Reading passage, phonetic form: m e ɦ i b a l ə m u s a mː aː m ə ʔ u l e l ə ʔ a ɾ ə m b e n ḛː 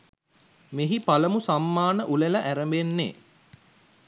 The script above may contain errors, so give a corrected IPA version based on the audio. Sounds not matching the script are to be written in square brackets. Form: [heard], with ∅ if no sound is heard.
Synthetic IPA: m e ɦ i [p] a l ə m u s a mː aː [n] ə ʔ u l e l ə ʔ [æ] ɾ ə m b e [nː] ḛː